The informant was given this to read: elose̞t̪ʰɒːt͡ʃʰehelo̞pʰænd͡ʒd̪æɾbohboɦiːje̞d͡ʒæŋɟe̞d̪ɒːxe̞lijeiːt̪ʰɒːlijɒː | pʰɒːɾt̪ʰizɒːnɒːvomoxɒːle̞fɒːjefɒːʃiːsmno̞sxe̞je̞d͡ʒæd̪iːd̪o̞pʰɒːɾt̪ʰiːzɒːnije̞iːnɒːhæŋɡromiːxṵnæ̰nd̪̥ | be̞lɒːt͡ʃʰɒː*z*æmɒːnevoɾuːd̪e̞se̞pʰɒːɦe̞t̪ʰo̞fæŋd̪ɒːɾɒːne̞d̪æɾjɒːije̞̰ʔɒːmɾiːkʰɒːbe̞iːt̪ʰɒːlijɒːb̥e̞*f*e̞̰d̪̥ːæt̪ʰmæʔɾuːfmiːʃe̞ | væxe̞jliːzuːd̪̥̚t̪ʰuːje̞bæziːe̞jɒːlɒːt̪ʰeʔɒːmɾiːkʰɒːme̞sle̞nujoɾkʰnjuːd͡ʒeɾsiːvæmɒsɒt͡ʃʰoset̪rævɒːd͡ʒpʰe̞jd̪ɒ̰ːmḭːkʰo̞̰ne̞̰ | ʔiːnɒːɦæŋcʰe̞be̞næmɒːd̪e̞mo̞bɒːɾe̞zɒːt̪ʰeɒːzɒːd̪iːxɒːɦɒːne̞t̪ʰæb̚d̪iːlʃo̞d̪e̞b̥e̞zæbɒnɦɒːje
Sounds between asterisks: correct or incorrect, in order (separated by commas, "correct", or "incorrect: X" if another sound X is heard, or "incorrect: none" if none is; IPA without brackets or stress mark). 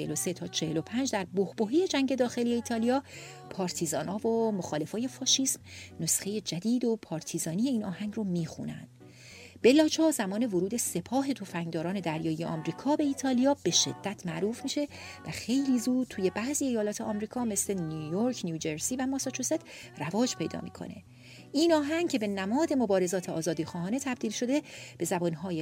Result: correct, incorrect: ʃ